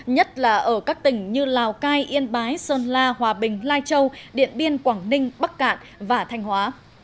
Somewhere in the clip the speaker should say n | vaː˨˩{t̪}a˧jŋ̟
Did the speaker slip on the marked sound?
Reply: yes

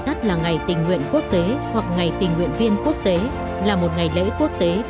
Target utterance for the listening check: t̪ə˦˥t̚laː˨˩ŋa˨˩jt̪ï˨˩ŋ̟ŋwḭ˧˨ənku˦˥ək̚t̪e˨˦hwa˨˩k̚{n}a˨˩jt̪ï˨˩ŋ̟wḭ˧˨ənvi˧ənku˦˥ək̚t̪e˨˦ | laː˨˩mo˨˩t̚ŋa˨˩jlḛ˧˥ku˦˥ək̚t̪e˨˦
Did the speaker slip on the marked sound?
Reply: yes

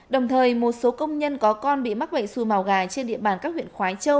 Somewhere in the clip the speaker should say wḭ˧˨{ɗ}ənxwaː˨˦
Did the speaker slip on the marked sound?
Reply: yes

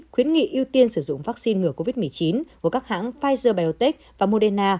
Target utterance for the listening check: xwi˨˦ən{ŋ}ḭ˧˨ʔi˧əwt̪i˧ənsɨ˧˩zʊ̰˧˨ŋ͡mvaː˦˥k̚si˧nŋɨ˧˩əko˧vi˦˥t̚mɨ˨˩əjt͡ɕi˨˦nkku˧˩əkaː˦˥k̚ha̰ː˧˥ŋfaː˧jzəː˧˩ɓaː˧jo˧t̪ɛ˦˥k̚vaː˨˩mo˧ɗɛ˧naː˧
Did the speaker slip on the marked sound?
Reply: no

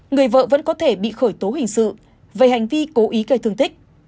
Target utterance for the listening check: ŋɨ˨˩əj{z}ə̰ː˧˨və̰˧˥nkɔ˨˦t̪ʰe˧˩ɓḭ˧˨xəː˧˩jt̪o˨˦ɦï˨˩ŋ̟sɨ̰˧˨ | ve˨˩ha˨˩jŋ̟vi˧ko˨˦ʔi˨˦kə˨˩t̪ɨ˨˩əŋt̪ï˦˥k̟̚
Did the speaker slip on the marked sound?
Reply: yes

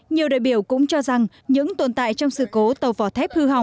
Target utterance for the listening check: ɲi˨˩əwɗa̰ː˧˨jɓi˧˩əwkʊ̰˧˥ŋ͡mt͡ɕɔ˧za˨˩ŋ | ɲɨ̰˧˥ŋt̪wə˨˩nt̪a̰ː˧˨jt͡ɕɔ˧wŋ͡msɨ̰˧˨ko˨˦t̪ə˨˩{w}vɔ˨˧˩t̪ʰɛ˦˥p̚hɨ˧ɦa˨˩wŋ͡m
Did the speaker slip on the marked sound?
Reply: no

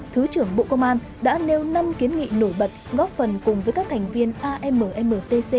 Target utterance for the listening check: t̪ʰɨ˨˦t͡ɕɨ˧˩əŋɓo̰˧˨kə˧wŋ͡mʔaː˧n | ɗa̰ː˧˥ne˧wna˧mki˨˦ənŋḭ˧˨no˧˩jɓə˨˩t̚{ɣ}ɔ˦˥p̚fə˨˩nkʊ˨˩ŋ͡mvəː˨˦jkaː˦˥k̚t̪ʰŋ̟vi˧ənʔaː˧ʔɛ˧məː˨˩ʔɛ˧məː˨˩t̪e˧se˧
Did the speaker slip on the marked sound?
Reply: no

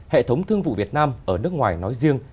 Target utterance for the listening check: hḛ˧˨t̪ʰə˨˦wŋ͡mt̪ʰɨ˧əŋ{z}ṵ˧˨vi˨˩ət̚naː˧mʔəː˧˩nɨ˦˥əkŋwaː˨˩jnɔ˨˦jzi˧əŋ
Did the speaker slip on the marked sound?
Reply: yes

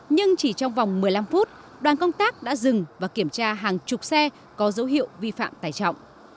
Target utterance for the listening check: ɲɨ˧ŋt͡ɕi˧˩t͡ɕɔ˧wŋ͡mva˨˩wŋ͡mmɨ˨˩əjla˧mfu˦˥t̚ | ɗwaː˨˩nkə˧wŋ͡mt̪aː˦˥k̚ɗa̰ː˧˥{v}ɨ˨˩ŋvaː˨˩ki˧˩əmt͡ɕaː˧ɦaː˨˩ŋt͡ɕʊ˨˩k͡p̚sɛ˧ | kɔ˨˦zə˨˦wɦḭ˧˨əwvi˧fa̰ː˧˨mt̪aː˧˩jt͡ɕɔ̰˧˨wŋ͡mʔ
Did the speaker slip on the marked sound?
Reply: yes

